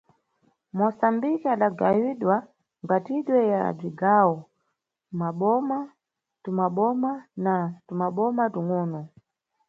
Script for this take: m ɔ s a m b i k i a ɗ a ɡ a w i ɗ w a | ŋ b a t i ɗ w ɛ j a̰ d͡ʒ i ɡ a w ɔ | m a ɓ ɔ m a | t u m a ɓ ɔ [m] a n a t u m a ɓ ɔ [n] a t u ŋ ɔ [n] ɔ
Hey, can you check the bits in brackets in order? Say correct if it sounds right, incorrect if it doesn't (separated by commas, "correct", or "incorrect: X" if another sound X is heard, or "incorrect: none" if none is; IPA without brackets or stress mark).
correct, incorrect: m, correct